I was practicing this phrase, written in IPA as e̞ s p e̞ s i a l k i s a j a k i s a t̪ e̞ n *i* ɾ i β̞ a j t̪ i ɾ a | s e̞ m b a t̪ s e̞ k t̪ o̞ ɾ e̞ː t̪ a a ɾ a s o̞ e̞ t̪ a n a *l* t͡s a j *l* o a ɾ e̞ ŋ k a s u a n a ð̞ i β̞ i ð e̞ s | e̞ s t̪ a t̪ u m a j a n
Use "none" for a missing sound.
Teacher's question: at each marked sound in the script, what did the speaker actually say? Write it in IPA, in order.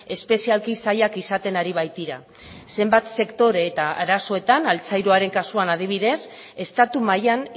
a, l, ɾ

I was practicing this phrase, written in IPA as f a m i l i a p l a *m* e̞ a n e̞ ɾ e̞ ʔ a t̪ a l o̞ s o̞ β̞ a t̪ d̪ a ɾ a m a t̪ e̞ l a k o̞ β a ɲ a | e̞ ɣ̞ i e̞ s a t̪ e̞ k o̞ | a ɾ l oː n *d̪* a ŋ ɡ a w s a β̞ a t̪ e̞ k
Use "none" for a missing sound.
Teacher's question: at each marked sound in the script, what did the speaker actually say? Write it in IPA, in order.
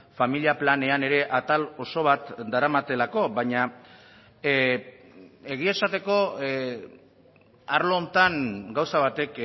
n, t̪

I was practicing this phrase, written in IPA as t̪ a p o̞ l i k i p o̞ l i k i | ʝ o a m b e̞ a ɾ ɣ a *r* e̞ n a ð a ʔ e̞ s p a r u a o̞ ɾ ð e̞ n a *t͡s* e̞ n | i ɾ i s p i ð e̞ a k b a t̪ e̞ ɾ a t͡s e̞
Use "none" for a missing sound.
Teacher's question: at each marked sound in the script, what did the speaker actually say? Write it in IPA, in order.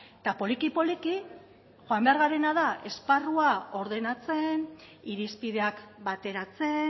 ɾ, t͡s

